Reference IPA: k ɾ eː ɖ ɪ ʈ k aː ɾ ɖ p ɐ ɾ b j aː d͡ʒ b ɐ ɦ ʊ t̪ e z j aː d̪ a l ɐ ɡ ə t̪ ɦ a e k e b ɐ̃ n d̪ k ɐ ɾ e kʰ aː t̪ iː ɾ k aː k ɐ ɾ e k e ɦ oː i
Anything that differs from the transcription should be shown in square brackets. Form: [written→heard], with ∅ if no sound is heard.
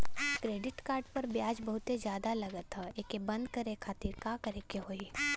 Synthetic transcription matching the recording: k ɾ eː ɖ ɪ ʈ k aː ɾ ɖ p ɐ ɾ b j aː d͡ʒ b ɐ ɦ ʊ t̪ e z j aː d̪ a l ɐ ɡ ə t̪ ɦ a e k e b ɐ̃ n d̪ k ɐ ɾ e kʰ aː t̪ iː ɾ k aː k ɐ ɾ e k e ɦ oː i

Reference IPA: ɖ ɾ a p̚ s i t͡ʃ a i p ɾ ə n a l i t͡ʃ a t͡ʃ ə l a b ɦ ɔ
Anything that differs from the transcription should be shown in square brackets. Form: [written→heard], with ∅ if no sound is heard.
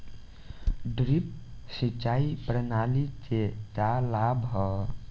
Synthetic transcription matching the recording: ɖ ɾ [a→i] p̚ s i t͡ʃ a i p ɾ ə n a l i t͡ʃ [a→e] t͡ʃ [ə→a] l a b ɦ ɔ

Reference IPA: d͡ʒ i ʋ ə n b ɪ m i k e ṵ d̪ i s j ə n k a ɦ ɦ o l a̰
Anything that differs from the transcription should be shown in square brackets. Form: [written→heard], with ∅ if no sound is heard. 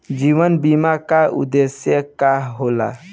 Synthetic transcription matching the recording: d͡ʒ i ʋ ə n b [ɪ→i] m [i→a] k [e→a] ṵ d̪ [i→e] s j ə [n→∅] k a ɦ ɦ o l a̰

